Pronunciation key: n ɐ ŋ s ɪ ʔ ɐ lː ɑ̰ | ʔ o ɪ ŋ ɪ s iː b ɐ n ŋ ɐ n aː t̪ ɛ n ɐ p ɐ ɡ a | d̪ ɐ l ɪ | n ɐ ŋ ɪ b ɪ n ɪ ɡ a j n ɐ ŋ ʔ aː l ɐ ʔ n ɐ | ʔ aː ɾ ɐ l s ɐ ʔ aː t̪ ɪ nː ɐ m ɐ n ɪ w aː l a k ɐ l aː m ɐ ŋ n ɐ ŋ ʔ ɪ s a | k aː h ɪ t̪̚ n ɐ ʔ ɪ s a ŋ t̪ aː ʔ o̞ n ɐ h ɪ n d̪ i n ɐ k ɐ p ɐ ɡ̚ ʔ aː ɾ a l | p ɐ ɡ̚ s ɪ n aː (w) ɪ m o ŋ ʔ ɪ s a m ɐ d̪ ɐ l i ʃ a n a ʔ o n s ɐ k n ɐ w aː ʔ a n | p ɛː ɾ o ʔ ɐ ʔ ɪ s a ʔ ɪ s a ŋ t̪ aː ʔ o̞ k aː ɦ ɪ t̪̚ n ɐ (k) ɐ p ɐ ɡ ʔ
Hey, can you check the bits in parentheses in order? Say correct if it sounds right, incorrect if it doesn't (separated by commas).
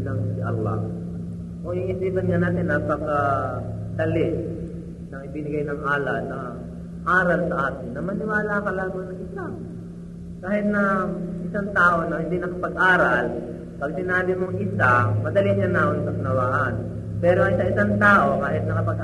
incorrect, correct